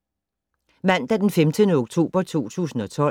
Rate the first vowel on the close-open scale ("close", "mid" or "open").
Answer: open